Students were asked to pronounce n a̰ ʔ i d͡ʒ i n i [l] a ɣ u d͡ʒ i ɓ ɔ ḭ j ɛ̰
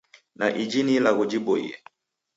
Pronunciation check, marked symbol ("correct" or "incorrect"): correct